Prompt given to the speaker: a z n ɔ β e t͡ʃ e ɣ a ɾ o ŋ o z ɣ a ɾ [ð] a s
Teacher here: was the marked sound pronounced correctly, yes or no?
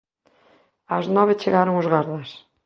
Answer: yes